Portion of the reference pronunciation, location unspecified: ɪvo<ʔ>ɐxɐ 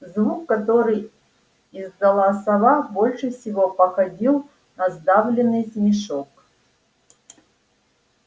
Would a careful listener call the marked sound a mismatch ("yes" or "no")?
yes